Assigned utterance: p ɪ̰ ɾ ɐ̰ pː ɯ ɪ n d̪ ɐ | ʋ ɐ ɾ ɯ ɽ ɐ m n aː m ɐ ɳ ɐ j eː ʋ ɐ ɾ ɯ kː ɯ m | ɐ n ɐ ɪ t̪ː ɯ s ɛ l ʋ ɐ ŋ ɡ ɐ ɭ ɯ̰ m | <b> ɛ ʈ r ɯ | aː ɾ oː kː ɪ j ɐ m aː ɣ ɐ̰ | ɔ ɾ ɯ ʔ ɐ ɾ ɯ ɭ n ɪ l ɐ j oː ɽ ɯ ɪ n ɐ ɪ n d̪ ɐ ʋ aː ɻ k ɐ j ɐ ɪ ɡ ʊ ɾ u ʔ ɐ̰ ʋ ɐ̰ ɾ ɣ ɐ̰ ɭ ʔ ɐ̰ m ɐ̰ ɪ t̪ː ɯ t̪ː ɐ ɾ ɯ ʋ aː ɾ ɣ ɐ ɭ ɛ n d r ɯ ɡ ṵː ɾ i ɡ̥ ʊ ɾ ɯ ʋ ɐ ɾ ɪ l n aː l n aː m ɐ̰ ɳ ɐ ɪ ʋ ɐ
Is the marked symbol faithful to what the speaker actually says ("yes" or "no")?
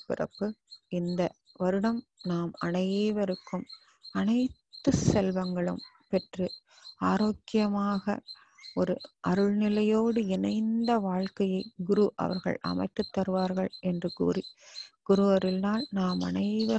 no